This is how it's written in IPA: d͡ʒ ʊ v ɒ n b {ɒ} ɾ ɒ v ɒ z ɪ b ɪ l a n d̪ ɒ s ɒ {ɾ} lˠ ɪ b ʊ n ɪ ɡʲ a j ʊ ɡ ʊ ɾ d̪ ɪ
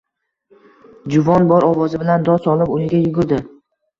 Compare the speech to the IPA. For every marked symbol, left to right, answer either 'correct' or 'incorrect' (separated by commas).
correct, incorrect